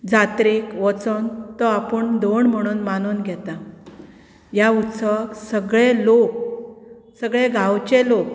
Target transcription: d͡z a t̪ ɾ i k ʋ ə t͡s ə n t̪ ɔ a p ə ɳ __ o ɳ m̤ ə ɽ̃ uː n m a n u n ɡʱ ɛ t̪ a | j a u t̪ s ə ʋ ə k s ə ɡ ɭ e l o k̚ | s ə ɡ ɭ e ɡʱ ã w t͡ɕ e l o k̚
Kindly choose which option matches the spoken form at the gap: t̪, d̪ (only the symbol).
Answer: d̪